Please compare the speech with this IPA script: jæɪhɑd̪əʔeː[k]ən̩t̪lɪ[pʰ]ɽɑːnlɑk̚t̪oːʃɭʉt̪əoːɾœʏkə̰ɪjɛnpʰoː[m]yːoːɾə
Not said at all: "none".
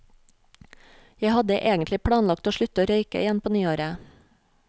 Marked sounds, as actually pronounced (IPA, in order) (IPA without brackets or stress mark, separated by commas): ɡ, pʰ, n